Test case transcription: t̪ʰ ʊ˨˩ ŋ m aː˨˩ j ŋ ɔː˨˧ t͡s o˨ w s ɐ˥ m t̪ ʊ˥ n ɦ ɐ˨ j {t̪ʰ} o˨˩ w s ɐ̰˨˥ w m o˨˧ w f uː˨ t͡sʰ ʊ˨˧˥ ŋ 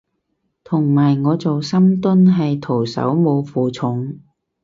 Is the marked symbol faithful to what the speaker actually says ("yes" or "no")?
yes